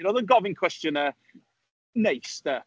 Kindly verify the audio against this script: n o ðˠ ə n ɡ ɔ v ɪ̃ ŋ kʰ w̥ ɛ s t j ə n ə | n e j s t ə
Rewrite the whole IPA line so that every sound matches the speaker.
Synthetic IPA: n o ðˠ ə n ɡ ɔ v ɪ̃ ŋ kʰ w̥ ɛ s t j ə n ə | n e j s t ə

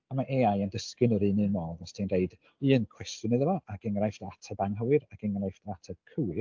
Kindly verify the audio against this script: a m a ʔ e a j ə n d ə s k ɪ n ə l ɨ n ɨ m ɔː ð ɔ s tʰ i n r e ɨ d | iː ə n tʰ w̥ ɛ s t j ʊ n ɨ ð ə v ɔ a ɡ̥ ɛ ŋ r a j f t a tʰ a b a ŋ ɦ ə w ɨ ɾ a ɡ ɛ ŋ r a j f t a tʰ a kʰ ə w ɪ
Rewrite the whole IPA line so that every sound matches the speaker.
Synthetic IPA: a m a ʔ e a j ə n d ə s k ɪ n ə ɾ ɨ n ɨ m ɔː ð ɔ s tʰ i n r e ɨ d | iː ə n kʰ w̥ ɛ s t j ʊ n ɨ ð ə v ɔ a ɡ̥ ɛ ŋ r a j f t a tʰ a b a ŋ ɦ ə w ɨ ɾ a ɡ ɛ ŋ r a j f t a tʰ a kʰ ə w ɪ

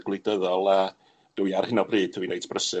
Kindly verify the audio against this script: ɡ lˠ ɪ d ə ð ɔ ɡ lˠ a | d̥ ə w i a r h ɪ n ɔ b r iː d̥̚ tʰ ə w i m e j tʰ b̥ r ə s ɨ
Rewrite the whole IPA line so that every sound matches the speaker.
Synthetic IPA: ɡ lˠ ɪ d ə ð ɔ lˠ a | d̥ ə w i a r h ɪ n ɔ b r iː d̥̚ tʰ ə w i n e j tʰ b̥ r ə s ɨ

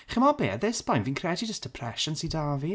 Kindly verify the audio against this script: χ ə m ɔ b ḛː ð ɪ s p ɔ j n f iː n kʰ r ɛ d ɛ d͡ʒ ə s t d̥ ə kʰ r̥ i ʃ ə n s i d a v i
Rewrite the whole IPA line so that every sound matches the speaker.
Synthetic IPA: χ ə m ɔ b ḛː ð ɪ s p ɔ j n v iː n kʰ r ɛ d i d͡ʒ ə s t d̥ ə pʰ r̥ ɛ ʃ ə n s i d a v i

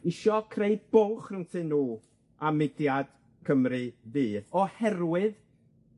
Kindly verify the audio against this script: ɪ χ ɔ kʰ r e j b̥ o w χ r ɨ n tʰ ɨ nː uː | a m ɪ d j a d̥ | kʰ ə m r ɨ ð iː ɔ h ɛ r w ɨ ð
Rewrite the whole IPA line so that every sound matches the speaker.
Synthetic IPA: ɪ ʃ ɔ kʰ r e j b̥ o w χ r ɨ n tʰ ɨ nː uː | a m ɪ d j a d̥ | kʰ ə m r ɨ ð iː ɔ h ɛ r w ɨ ð

